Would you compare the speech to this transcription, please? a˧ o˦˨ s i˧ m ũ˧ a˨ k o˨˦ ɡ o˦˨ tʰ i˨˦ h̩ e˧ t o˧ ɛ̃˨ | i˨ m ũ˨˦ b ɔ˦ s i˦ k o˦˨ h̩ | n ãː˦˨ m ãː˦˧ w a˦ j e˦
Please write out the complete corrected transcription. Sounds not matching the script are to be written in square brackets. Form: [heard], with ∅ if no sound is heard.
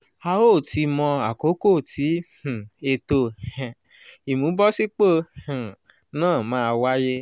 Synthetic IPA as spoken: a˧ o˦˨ [t] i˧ m [ɔ̃˧] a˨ k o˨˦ [k] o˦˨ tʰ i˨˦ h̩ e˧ t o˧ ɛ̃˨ | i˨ m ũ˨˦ b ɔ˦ s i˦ [k͡p] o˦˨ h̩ | n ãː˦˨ m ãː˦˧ w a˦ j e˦